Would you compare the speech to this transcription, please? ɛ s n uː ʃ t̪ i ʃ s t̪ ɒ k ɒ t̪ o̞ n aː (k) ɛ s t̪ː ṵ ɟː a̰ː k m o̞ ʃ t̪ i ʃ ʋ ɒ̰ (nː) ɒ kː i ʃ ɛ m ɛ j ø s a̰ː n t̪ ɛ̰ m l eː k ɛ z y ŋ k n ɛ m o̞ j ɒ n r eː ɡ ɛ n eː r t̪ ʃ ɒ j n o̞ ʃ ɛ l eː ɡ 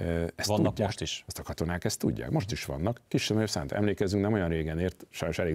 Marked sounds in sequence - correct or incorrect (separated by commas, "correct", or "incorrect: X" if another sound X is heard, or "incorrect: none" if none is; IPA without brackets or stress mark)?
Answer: correct, correct